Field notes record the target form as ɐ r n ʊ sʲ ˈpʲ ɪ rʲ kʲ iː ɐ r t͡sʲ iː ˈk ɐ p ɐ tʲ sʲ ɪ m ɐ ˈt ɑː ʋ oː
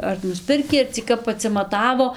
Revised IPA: ɐ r n ʊ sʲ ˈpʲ ɪ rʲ kʲ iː ɐ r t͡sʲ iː ˈk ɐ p ɐ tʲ sʲ ɪ m ɐ ˈt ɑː ʋ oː